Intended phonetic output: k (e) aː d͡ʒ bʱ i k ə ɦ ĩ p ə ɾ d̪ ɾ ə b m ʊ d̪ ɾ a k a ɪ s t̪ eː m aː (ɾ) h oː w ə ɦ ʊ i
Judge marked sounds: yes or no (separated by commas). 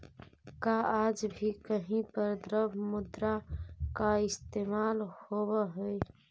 no, no